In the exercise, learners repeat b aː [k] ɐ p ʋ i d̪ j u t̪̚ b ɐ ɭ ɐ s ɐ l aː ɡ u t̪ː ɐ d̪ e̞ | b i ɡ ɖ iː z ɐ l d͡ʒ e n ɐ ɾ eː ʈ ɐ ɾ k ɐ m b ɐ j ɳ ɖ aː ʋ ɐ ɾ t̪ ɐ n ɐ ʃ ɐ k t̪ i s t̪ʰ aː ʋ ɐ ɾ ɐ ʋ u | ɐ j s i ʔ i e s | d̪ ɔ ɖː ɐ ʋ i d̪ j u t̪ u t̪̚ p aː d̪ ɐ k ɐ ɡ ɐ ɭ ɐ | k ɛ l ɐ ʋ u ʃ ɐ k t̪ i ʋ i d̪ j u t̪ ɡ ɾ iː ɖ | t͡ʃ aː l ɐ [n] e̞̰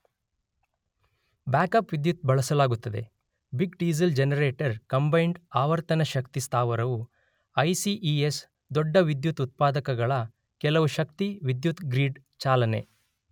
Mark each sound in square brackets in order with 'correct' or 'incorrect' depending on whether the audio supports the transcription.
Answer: correct, correct

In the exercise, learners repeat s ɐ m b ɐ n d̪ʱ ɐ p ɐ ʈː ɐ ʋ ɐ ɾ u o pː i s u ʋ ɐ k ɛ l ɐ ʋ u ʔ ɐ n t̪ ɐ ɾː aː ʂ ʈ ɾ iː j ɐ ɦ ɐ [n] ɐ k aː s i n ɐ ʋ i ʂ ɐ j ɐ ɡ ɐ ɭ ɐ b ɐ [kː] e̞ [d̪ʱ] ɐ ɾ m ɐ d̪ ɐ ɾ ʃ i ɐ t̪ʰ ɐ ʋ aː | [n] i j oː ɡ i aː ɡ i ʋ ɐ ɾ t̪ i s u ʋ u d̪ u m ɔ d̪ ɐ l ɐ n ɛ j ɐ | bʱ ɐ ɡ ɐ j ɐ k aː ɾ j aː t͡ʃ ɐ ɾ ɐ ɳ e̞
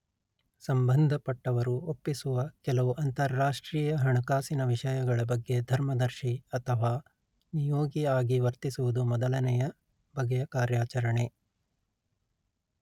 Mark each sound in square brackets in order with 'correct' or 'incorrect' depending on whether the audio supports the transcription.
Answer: incorrect: ɳ, incorrect: ɡː, correct, correct

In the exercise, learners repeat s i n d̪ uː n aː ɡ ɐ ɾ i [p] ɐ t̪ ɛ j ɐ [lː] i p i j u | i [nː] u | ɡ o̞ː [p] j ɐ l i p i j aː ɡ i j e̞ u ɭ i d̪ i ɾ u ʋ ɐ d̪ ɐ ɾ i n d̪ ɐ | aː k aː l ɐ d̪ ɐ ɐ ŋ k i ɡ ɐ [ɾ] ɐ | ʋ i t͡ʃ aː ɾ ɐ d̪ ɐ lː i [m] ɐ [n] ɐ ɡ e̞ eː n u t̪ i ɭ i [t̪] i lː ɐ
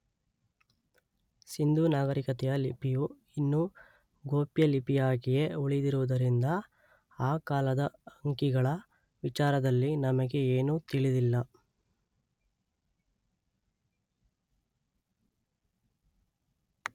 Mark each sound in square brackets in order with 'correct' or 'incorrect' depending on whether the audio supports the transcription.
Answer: incorrect: k, incorrect: l, correct, correct, incorrect: ɭ, incorrect: n, incorrect: m, incorrect: d̪

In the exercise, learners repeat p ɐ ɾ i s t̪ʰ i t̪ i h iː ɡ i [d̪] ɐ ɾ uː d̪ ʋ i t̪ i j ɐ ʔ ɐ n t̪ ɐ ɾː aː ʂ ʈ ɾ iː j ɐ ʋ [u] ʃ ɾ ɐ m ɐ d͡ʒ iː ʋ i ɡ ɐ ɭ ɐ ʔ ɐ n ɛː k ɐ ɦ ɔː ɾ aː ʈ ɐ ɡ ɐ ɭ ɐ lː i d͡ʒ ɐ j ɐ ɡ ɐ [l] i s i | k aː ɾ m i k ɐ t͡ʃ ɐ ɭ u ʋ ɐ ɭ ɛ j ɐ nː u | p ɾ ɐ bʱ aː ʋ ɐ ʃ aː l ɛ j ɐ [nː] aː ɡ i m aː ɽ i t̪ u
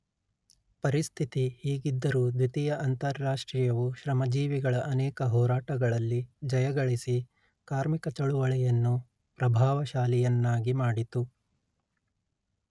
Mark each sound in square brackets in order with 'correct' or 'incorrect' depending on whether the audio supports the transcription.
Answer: incorrect: d̪ː, correct, incorrect: ɭ, correct

